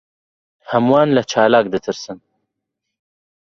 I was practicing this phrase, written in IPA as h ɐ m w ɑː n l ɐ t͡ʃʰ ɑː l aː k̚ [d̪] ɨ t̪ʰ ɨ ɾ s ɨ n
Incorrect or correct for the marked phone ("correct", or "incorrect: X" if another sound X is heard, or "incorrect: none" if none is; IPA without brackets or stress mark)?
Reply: correct